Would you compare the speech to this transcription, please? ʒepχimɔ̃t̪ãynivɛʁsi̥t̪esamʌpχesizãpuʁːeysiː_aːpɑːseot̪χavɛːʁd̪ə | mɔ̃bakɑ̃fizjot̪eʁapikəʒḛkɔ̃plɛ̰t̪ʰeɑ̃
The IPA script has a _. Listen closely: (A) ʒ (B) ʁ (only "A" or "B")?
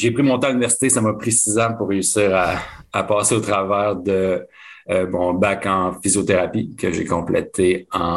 B